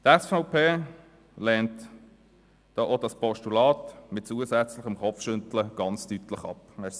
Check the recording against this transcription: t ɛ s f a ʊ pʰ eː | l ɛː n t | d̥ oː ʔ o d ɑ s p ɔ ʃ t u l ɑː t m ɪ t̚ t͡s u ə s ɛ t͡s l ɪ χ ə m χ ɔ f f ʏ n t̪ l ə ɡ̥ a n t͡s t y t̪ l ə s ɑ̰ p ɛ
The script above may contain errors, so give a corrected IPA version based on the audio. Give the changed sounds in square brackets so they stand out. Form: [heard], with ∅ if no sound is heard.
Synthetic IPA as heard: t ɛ s f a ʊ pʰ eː | l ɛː n t | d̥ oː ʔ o d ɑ s p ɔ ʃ t u l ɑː t m ɪ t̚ t͡s u ə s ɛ t͡s l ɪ χ ə m χ ɔ f [ʃ] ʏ n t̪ l ə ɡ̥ [ɑ] n t͡s t y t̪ l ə [χ] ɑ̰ p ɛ